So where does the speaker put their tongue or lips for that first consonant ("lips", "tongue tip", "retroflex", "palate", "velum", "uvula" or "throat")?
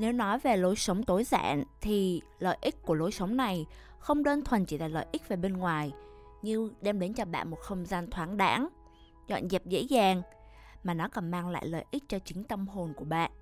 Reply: tongue tip